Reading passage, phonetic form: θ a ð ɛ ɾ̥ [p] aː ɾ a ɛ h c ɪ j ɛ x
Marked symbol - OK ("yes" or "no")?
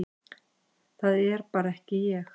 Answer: yes